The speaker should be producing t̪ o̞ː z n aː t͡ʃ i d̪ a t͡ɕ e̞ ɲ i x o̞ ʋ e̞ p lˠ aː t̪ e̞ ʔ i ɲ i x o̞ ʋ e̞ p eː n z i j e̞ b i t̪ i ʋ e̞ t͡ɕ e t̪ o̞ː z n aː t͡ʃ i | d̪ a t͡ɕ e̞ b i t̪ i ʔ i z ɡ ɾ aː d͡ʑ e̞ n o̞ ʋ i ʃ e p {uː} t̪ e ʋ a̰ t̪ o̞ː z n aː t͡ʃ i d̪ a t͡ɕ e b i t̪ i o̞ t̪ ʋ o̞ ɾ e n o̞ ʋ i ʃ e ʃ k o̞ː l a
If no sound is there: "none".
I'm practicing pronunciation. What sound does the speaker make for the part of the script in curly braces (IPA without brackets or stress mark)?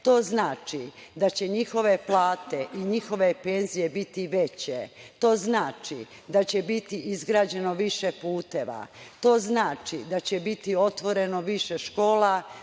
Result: uː